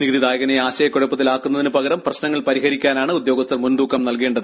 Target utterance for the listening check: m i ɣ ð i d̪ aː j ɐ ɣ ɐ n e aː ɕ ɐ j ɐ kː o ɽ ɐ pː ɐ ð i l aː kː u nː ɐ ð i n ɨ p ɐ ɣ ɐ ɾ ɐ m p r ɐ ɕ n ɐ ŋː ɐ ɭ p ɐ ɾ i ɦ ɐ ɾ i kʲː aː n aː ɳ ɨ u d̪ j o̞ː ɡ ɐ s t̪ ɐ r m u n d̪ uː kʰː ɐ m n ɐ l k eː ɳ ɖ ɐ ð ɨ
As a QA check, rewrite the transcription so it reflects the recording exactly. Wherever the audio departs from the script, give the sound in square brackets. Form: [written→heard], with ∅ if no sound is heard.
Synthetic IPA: [m→n] i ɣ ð i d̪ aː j ɐ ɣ ɐ n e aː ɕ ɐ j ɐ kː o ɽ ɐ pː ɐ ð i l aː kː u nː ɐ ð i n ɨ p ɐ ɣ ɐ ɾ ɐ m p r ɐ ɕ n ɐ ŋː ɐ ɭ p ɐ ɾ i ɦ ɐ ɾ i kʲː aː n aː ɳ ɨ u d̪ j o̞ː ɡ ɐ s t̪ ɐ r m u n d̪ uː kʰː ɐ m n ɐ l k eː ɳ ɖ ɐ ð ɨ

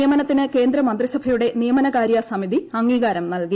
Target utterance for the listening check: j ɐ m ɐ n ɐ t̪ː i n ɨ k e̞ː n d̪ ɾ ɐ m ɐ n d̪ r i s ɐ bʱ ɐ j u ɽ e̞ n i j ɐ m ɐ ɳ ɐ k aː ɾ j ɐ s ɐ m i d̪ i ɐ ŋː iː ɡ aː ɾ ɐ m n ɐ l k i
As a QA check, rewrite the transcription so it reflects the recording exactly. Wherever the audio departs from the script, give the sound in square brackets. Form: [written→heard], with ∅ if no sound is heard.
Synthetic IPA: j ɐ m ɐ n ɐ t̪ː i n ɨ k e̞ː n d̪ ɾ ɐ m ɐ n d̪ r i s ɐ bʱ ɐ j u ɽ e̞ n i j ɐ m ɐ [ɳ→n] ɐ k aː ɾ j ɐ s ɐ m i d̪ i ɐ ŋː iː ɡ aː ɾ ɐ m n ɐ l k i

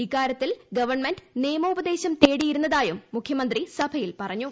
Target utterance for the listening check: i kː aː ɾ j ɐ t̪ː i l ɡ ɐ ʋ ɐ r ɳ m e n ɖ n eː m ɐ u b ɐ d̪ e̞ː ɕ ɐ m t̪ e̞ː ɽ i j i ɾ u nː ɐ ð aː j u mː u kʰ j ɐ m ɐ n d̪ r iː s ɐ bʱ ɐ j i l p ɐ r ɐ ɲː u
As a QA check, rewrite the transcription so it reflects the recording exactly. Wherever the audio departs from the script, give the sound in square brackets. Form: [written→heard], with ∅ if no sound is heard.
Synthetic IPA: i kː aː ɾ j ɐ t̪ː i l ɡ ɐ ʋ ɐ r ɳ m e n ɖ n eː m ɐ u b ɐ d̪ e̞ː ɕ ɐ m t̪ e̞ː ɽ i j i ɾ u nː ɐ ð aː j u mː u kʰ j ɐ m ɐ n d̪ r [iː→i] s ɐ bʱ ɐ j i l p ɐ r ɐ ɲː u

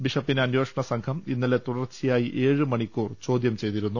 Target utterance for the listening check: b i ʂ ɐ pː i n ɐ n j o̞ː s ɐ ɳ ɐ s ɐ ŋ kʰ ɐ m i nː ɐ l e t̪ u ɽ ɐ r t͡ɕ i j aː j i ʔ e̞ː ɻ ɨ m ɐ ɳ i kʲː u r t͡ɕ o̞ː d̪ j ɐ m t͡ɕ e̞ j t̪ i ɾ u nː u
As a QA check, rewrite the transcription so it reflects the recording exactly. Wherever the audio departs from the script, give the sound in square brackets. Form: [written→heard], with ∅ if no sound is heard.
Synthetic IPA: b i ʂ ɐ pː i n ɐ n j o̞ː [s→ʂ] ɐ ɳ ɐ s ɐ ŋ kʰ ɐ m i nː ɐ l e t̪ u ɽ ɐ r t͡ɕ i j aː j i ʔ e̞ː ɻ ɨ m ɐ ɳ i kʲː [u→uː] r t͡ɕ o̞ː d̪ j ɐ m t͡ɕ e̞ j t̪ i ɾ u nː u

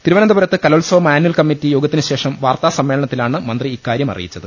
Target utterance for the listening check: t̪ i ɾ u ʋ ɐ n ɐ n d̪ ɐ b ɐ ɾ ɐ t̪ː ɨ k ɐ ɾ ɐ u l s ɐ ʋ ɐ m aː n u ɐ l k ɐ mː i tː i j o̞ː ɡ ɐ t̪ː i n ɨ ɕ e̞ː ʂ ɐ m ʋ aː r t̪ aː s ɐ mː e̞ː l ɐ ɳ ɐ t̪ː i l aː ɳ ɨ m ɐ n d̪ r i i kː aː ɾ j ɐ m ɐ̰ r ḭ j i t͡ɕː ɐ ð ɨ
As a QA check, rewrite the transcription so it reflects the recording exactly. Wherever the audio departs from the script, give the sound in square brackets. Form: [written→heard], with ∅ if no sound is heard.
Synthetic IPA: t̪ i ɾ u ʋ ɐ n ɐ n d̪ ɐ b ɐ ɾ ɐ t̪ː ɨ k ɐ [ɾ→l] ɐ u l s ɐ ʋ ɐ m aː n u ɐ l k ɐ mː i tː i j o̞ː ɡ ɐ t̪ː i n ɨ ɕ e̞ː ʂ ɐ m ʋ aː r t̪ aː s ɐ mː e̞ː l ɐ ɳ ɐ t̪ː i l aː ɳ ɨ m ɐ n d̪ r i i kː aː ɾ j ɐ m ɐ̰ r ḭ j i t͡ɕː ɐ ð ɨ

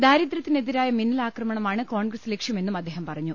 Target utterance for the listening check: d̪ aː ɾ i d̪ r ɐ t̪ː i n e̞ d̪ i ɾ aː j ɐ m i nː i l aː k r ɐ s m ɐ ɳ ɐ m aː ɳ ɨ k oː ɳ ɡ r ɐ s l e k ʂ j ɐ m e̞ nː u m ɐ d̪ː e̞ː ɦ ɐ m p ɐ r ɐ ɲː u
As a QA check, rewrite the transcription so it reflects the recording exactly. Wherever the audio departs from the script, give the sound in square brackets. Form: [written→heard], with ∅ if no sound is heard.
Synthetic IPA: d̪ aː ɾ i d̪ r ɐ t̪ː i n e̞ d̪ i ɾ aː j ɐ m i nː i l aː k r ɐ [s→∅] m ɐ ɳ ɐ m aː ɳ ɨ k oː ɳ ɡ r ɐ s l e k ʂ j ɐ m e̞ nː u m ɐ d̪ː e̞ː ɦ ɐ m p ɐ r ɐ ɲː u

